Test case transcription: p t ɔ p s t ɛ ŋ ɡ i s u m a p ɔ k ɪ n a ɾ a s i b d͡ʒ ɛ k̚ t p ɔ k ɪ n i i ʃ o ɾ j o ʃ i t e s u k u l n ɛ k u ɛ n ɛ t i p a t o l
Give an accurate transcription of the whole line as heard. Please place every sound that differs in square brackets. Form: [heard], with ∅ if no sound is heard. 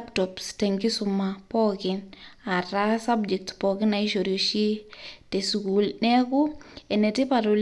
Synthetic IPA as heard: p t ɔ p s t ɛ ŋ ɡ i s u m a p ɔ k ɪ n a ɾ a s [a] b d͡ʒ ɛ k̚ t p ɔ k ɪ n [a] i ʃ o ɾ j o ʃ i t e s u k u l n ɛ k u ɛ n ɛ t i p a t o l

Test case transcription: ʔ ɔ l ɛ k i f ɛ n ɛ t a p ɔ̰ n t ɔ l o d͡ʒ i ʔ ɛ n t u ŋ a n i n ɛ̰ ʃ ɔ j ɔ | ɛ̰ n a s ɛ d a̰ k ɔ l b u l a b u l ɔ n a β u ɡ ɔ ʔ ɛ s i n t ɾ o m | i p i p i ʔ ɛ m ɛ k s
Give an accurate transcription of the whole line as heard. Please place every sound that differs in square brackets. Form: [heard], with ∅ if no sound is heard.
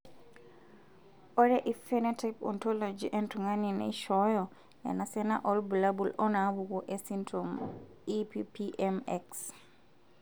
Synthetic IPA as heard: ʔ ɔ [ɾ] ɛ [ʔ] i f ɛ n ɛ t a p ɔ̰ n t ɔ l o d͡ʒ i ʔ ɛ n t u ŋ a n i n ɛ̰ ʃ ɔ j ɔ | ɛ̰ n a s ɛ [n] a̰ [ʔ] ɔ l b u l a b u l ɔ n a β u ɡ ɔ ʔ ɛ s i n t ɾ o m | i p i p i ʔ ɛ m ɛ k s

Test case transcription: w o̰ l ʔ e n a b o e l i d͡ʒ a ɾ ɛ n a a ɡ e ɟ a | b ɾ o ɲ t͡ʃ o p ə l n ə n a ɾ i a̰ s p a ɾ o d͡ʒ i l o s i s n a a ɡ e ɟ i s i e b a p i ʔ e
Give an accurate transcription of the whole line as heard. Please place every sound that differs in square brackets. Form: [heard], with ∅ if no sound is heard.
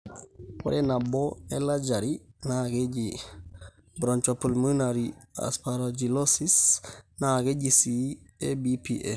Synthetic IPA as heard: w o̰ [ɾ] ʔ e n a b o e l [a] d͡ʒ a ɾ [i] n a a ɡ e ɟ [i] | b ɾ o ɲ t͡ʃ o p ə l [m] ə n a ɾ i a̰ s p a ɾ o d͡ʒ i l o s i s n a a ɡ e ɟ i s i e b [i] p i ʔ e

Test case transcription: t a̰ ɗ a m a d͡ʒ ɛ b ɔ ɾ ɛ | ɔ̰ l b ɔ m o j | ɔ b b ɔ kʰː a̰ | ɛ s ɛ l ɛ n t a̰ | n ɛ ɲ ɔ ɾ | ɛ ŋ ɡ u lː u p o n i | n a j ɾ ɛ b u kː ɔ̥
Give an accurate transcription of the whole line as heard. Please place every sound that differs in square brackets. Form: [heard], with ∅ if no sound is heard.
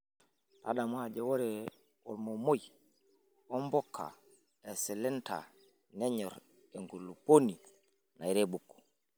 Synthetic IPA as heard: t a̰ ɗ a m a d͡ʒ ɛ [w] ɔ ɾ ɛ | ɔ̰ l [m] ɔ m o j | ɔ [m] b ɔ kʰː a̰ | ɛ s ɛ l ɛ n t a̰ | n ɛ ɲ ɔ ɾ | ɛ ŋ ɡ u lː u p o n i | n a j ɾ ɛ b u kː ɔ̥

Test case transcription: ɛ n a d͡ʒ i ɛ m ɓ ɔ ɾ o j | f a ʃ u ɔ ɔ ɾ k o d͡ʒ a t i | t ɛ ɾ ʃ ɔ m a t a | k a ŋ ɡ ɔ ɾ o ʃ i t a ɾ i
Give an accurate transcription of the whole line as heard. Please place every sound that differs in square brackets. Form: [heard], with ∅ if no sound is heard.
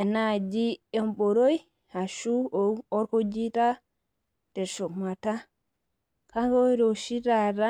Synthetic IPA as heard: ɛ n a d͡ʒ i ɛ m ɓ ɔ ɾ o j | [h] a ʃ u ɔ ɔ ɾ k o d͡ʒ [i] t [a] | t ɛ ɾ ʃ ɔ m a t a | k a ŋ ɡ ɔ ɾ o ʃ i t a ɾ [a]

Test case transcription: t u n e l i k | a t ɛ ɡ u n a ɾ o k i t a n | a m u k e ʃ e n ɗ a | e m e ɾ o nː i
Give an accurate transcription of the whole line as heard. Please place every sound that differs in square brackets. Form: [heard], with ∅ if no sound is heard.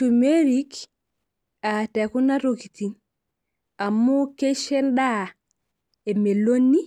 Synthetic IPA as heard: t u [m] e [ɾ] i k | a t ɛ [k] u n a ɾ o k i t [i] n | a m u k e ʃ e n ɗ a | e m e [l] o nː i

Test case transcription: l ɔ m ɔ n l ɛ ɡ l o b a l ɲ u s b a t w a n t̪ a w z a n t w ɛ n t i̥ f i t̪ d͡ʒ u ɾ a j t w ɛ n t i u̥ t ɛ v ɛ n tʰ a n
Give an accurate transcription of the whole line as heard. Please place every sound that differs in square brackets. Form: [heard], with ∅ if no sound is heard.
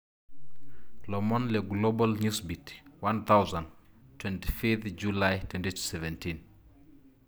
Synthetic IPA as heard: l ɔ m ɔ n l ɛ ɡ l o b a l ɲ u s b [i] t w a n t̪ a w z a n t w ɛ n t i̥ f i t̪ d͡ʒ u [l] a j t w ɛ n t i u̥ [s] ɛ v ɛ n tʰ [i] n

